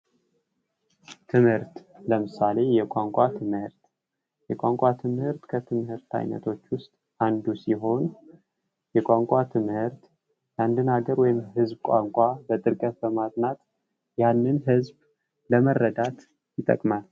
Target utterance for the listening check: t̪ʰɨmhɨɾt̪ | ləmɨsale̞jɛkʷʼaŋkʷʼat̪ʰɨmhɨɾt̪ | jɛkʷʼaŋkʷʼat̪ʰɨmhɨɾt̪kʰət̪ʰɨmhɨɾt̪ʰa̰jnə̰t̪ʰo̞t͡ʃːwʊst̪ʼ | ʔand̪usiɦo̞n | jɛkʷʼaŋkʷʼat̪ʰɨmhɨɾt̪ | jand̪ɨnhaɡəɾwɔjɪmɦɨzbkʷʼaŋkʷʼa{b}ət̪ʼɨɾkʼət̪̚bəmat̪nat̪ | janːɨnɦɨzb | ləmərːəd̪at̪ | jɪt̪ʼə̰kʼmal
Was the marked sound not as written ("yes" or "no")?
no